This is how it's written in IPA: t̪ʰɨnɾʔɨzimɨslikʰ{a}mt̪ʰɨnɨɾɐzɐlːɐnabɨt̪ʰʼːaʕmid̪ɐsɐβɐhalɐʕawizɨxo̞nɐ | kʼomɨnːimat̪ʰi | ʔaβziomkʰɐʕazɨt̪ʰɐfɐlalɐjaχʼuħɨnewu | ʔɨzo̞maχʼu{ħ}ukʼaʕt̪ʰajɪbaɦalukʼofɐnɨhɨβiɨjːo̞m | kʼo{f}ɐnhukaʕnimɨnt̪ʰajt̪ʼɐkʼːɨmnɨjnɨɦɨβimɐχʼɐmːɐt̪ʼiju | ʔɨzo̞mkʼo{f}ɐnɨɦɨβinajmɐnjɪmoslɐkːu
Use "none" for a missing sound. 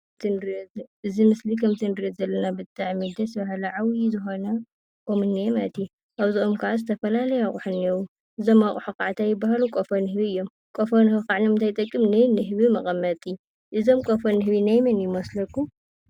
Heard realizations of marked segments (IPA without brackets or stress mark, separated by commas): ɐ, ħ, f, f